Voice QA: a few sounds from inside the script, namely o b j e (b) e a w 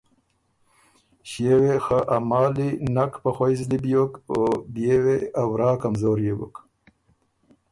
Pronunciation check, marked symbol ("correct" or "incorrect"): incorrect